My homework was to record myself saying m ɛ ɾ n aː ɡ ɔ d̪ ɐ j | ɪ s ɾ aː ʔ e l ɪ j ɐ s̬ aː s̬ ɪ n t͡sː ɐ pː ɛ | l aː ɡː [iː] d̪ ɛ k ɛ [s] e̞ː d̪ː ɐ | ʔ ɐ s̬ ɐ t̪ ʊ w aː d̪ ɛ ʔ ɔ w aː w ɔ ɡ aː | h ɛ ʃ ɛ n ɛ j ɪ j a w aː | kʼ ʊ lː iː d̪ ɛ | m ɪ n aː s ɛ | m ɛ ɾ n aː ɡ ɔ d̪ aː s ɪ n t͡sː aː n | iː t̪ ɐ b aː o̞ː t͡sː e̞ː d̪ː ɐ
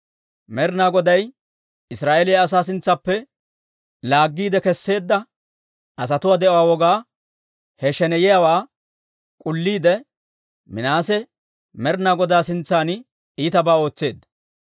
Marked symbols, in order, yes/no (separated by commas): yes, no